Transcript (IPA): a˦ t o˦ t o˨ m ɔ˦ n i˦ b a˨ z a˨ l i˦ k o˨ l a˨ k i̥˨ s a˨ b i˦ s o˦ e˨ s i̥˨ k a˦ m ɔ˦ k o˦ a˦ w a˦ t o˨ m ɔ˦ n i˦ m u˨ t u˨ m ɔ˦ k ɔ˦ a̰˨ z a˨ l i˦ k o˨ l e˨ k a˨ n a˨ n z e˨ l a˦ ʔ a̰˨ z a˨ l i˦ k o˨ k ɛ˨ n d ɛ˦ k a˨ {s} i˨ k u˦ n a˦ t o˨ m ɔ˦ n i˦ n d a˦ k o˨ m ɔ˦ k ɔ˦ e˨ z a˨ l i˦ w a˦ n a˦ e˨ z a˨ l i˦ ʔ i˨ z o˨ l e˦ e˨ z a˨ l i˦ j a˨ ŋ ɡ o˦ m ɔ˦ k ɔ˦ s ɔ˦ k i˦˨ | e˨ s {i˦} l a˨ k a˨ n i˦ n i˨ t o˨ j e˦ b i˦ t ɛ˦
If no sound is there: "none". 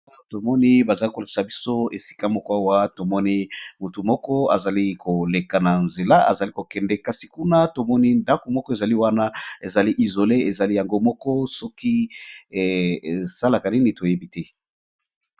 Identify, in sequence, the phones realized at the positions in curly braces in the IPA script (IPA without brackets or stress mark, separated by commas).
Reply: s, a˦